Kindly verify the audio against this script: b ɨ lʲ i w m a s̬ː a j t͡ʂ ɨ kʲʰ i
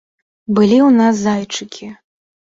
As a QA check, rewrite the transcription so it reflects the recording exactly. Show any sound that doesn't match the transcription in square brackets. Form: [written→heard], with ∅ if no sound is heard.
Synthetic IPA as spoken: b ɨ lʲ i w [m→n] a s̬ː a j t͡ʂ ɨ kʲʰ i